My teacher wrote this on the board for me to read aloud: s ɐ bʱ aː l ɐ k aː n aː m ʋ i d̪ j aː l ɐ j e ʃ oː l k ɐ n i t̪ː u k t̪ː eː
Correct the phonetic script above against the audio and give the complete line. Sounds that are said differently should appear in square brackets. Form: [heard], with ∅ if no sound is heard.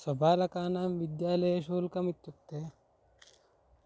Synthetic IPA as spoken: s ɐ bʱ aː l ɐ k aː n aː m ʋ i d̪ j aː l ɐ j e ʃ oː l k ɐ [m] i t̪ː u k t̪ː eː